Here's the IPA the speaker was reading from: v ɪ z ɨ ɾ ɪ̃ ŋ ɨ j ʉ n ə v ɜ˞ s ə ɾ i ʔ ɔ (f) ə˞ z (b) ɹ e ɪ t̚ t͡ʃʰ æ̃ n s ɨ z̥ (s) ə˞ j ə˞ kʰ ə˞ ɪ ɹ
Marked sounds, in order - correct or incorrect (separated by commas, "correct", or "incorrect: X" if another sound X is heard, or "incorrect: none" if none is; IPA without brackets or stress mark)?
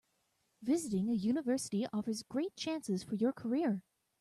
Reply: correct, incorrect: ɡ, incorrect: f